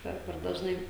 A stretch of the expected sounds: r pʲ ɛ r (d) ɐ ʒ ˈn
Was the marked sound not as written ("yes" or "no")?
no